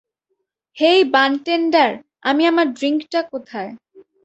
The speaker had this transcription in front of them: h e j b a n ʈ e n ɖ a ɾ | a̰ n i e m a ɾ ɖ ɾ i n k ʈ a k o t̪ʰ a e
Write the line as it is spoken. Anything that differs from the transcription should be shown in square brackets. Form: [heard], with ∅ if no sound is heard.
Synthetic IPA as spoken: h e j b a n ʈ e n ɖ a ɾ | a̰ [m] i [a] m a ɾ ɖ ɾ i [ŋ] k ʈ a k o t̪ʰ a e